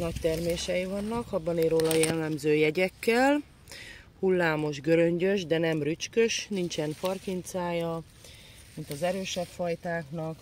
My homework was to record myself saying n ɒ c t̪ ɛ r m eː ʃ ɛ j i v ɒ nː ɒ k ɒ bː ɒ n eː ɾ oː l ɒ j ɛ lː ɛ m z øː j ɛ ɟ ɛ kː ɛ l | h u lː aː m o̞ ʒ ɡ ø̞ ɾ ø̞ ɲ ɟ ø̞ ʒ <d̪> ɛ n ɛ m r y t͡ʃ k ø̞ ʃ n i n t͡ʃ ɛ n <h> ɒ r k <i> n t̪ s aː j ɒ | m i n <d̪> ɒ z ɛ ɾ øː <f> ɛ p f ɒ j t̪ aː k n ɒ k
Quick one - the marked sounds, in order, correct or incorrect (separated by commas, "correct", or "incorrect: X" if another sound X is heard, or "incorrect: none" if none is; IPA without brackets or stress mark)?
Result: correct, incorrect: f, correct, incorrect: t̪, incorrect: ʃ